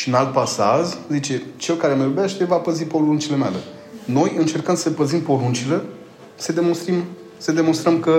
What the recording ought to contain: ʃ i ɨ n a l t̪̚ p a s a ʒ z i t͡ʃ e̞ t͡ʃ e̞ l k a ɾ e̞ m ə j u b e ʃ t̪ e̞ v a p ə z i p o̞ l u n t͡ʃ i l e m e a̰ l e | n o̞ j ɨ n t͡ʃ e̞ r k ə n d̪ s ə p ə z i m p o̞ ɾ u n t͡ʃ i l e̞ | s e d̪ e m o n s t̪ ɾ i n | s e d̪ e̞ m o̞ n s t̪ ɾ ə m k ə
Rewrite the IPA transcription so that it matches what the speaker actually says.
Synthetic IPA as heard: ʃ i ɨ n a l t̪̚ p a s a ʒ z i t͡ʃ e̞ t͡ʃ e̞ l k a ɾ e̞ m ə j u b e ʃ t̪ e̞ v a p ə z i p o̞ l u n t͡ʃ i l e m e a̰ l e | n o̞ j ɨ n t͡ʃ e̞ r k ə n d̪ s ə p ə z i m p o̞ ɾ u n t͡ʃ i l e̞ | s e d̪ e m o n s t̪ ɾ i m | s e d̪ e̞ m o̞ n s t̪ ɾ ə m k ə